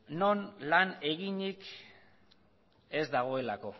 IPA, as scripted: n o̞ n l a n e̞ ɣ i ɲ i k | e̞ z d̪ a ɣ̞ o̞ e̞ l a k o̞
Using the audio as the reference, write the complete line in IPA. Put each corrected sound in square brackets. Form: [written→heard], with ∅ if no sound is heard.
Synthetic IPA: n o̞ n l a n e̞ ɣ i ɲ i k | e̞ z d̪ a ɣ̞ o̞ e̞ l a k o̞